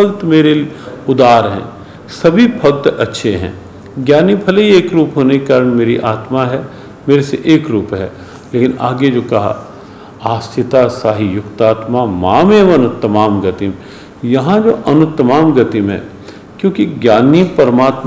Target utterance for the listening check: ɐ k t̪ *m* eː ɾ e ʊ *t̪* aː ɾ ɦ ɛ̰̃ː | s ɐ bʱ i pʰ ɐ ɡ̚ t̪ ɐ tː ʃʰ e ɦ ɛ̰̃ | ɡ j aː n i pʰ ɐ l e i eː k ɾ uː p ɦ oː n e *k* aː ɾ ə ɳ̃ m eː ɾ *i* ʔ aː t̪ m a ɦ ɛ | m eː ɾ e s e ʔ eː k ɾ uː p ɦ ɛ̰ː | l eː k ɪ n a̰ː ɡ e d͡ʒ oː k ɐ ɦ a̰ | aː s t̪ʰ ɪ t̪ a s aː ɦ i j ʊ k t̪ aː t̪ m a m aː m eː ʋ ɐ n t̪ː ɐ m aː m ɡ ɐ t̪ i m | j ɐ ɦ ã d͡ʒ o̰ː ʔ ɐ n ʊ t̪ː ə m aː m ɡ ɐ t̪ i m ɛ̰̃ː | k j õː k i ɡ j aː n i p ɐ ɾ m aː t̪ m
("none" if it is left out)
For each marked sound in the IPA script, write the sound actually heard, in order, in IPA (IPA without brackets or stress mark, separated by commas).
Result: m, d̪, k, i